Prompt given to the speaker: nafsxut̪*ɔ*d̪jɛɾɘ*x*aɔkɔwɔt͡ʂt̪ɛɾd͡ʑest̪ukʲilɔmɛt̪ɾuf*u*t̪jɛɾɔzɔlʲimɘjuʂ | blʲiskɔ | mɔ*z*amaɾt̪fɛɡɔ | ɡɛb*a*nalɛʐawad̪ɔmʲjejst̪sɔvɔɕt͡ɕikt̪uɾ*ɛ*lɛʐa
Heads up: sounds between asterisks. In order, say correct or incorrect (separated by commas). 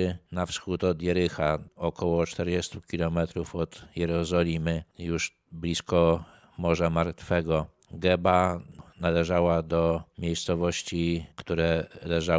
correct, correct, incorrect, incorrect, correct, correct